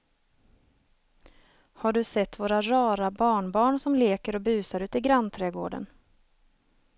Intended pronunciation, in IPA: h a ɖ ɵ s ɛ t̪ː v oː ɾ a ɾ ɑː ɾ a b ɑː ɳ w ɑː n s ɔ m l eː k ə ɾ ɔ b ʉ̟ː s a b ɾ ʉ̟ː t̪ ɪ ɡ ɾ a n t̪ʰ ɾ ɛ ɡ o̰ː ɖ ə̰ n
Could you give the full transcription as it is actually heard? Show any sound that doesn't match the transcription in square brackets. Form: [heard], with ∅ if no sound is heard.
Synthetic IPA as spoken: h a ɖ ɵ s ɛ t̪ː v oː ɾ a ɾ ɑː ɾ a b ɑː ɳ [b] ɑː [ɳ] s ɔ m l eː k ə ɾ ɔ b ʉ̟ː s a [∅] ɾ ʉ̟ː t̪ ɪ ɡ ɾ a n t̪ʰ ɾ ɛ ɡ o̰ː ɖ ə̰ n